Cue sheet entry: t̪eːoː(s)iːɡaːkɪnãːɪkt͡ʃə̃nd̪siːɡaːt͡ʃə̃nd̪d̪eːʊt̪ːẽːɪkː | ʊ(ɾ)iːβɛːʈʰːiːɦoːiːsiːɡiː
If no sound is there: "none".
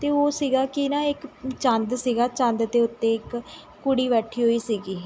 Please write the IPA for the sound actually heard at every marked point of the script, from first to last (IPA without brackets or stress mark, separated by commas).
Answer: s, ɽ